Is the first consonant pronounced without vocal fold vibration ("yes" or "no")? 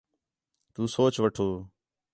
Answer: yes